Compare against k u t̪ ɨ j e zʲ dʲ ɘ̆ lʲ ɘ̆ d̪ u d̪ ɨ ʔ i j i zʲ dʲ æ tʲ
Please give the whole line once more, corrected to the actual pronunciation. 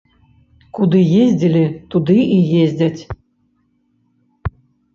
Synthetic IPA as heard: k u d̪ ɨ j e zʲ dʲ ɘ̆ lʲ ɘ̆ t̪ u d̪ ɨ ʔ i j e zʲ dʲ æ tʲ